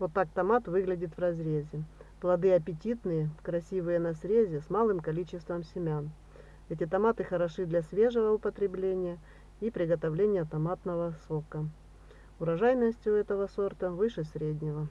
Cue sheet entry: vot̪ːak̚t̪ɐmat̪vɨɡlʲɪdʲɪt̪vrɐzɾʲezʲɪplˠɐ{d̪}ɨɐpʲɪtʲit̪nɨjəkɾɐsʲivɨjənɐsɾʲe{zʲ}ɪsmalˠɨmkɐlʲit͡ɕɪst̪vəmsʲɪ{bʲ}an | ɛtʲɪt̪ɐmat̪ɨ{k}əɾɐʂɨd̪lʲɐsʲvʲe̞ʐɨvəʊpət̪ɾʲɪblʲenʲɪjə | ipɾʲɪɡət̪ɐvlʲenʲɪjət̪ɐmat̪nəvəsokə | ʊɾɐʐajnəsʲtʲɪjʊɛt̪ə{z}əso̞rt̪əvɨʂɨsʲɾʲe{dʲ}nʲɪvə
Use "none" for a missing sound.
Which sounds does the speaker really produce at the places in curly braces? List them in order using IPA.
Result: d̪, zʲ, mʲ, x, v, dʲ

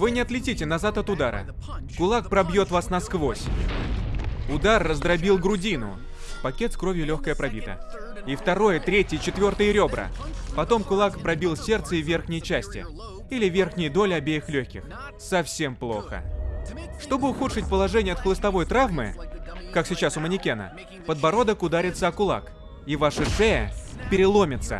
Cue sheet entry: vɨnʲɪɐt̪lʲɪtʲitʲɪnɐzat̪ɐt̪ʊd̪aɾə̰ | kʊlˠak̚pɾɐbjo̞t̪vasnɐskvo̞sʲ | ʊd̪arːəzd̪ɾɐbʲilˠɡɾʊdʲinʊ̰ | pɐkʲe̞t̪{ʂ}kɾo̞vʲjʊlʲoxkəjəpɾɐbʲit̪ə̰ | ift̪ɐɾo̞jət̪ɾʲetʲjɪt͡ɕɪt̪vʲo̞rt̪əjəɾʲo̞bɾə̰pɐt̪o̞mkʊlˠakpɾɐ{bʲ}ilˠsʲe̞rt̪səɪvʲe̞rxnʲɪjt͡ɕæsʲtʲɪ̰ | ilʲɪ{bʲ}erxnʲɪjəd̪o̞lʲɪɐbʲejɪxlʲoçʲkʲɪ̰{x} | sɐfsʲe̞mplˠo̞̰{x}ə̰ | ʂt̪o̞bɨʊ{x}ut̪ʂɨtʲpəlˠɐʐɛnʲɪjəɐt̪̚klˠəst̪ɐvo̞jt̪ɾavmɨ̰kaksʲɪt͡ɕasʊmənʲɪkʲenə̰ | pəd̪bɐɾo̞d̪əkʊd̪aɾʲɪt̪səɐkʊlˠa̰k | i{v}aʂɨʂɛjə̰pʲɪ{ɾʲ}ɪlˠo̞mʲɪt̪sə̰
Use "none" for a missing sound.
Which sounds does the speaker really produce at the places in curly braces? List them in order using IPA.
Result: s, bʲ, vʲ, x, x, x, v, ɾʲ

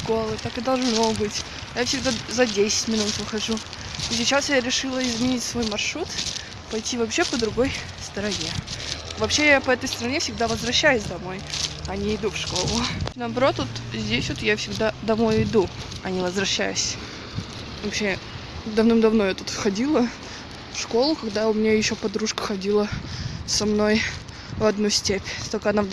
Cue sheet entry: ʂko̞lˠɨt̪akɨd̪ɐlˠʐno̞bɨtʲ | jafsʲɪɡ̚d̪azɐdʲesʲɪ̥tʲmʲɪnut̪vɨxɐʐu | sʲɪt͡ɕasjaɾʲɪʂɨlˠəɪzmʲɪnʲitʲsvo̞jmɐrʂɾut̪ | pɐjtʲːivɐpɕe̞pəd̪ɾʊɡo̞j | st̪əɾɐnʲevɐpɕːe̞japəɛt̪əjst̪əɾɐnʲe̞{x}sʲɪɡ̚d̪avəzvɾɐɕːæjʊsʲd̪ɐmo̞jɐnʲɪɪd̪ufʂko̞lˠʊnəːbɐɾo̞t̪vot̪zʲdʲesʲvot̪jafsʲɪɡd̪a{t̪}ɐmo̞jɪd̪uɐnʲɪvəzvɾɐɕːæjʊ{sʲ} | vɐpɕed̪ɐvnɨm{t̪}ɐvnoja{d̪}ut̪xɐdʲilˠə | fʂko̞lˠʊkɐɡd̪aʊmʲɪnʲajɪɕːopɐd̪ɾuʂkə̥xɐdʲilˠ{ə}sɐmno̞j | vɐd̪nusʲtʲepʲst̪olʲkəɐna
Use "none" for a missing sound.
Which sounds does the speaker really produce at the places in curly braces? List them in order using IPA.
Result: f, d̪, sʲ, d̪, t̪, ə

